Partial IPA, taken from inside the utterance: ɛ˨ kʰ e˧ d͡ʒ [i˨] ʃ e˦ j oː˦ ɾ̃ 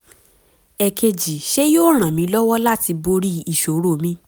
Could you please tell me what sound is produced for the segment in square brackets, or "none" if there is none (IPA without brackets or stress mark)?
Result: i˨